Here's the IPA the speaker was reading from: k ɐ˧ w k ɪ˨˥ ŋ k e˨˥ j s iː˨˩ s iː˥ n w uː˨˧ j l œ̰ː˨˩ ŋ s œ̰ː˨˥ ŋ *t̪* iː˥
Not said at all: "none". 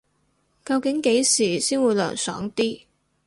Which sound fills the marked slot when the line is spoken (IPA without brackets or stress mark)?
t̪